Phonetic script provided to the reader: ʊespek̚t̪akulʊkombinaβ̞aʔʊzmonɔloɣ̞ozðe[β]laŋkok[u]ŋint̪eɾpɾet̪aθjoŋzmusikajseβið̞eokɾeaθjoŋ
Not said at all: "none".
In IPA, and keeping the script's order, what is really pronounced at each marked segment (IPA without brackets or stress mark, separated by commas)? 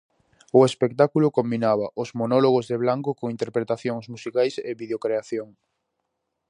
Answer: β, o